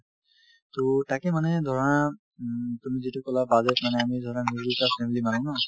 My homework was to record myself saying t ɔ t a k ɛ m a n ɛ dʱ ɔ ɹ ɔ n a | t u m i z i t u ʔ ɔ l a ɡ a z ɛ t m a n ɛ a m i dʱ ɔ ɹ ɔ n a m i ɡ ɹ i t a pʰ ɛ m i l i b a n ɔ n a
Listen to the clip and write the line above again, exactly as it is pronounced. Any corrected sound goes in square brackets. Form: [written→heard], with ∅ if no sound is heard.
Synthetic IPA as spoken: t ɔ t a k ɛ m a n ɛ dʱ ɔ ɹ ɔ n a | t u m i z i t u [ʔ→k] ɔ l a [ɡ→b] a z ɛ t m a n ɛ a m i dʱ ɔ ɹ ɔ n a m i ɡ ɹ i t a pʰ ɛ m i l i [b→m] a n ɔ n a